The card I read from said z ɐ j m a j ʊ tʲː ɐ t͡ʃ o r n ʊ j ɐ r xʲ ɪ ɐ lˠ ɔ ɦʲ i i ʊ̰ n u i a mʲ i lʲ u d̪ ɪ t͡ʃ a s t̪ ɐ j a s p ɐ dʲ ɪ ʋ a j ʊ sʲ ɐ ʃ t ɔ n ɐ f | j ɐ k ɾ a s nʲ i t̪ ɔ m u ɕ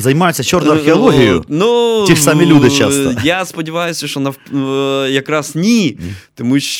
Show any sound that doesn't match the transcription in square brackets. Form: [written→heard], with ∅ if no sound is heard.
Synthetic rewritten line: z ɐ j m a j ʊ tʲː ɐ t͡ʃ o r n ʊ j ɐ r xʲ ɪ ɐ lˠ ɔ ɦʲ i [i→j] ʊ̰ n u i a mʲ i lʲ u d̪ ɪ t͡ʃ a s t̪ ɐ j a s p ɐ dʲ ɪ ʋ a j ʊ sʲ ɐ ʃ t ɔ n ɐ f | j ɐ k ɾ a s nʲ i t̪ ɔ m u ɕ